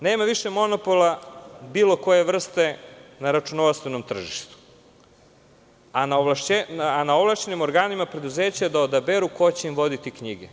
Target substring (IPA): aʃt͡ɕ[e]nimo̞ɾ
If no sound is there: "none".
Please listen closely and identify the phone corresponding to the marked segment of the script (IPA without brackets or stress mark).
e